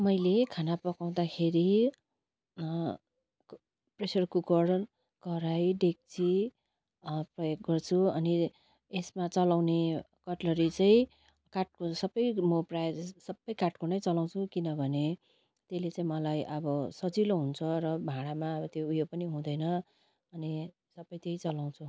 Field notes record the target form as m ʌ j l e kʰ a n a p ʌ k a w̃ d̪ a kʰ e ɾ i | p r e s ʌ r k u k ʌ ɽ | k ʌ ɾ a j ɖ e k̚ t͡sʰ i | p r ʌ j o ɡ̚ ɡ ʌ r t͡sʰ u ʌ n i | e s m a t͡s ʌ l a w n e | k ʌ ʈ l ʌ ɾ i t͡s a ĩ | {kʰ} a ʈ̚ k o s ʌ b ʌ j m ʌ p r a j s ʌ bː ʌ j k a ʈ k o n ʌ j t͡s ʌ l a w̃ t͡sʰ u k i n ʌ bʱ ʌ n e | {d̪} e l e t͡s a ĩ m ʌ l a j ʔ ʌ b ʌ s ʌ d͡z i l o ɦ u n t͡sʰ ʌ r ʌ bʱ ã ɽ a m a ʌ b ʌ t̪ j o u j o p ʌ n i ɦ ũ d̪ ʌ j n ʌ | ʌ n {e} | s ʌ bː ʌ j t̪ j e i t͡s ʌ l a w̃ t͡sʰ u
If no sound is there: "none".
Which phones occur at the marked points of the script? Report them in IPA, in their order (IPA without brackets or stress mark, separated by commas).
k, t̪, i